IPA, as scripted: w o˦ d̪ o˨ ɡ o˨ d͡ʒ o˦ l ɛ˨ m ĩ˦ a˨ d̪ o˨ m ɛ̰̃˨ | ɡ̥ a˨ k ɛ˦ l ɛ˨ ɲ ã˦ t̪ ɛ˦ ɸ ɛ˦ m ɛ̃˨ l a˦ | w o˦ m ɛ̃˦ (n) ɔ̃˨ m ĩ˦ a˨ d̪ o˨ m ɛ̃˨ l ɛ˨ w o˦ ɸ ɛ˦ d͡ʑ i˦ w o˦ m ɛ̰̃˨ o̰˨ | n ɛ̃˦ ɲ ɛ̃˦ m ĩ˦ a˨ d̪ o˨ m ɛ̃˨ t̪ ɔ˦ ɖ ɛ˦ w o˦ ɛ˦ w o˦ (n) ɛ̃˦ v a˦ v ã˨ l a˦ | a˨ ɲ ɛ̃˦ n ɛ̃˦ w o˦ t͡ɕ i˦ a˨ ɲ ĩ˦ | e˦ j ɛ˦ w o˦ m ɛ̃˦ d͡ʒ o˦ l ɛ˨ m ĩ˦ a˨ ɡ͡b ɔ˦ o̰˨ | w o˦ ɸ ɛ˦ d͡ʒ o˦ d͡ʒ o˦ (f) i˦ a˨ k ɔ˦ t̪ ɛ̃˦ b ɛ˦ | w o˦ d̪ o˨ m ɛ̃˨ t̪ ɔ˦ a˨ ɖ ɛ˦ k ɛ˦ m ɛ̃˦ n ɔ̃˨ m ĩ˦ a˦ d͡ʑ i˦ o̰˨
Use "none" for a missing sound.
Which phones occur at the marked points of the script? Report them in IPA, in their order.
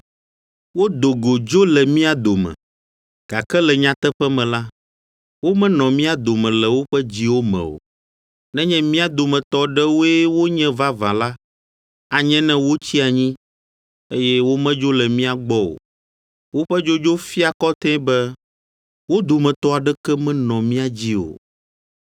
n, ɲ, f

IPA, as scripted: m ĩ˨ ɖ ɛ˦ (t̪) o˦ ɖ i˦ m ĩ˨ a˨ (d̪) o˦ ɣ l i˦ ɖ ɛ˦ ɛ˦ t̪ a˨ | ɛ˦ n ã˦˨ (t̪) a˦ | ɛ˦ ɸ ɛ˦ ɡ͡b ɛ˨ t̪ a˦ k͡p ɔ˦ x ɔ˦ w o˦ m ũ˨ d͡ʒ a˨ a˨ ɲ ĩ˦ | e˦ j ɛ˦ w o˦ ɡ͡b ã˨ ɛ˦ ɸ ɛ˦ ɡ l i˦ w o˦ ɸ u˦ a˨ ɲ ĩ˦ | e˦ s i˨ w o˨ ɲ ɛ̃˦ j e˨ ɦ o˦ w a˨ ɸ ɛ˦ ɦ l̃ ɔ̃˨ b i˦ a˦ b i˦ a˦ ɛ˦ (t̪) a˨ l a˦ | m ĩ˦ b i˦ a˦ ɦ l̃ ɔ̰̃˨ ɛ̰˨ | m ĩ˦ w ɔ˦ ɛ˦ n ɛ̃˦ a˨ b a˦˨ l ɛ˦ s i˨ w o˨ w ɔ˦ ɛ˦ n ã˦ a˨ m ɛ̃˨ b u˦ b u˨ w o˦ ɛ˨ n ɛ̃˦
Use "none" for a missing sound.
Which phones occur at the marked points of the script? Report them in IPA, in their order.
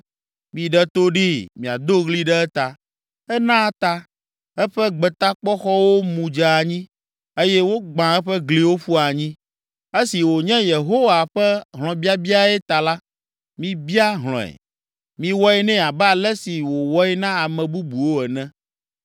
t̪, d̪, t̪, t̪

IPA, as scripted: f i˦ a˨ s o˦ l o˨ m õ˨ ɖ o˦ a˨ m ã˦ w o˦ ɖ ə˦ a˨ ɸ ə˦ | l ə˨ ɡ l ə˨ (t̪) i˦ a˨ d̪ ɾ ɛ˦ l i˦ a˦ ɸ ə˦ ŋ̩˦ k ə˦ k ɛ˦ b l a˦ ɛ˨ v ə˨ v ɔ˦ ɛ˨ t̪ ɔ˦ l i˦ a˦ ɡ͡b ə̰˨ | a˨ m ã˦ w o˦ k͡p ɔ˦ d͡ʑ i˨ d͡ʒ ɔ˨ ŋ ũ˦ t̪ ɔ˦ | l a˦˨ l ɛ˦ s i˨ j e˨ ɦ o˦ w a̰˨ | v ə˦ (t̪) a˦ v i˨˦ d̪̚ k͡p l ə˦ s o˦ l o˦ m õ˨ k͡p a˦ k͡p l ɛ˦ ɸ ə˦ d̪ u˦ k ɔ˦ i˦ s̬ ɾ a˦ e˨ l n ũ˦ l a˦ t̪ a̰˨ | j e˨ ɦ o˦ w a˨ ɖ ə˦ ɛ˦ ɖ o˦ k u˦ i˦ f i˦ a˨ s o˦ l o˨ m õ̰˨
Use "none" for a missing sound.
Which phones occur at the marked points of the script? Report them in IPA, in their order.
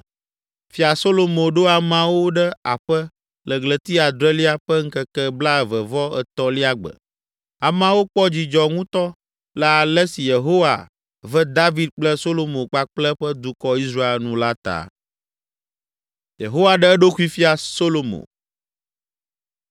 t̪, d̪

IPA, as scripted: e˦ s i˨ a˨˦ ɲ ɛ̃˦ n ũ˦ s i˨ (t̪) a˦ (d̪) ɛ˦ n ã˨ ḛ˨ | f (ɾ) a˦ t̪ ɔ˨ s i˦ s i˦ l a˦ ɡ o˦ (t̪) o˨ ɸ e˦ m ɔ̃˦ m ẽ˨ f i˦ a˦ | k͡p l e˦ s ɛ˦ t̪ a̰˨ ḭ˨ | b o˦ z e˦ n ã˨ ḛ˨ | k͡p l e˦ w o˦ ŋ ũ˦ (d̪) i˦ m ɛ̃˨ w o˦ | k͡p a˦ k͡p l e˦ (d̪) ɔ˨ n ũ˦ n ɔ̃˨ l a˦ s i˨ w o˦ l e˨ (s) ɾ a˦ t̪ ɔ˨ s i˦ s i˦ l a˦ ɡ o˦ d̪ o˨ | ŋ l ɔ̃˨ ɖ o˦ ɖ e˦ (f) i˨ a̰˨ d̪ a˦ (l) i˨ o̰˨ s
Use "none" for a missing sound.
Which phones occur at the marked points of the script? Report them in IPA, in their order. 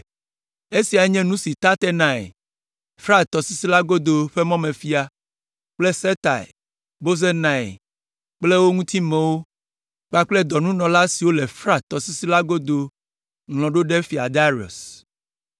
t̪, t̪, ɾ, d̪, t̪, d̪, f, f, ɾ

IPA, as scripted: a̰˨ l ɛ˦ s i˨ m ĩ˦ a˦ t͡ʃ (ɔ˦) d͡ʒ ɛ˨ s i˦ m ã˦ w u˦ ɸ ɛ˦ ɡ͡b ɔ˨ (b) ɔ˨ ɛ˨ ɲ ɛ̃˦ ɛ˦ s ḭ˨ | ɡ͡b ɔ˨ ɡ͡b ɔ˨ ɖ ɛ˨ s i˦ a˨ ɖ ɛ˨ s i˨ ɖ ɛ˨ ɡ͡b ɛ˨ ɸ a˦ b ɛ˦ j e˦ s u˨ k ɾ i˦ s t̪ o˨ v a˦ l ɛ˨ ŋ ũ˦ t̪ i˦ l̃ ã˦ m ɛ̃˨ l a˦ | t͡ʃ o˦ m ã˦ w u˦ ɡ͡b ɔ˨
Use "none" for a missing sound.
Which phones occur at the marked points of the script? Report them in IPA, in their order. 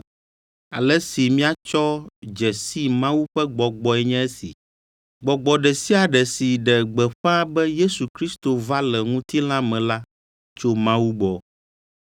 ɔ˦, ɡ͡b

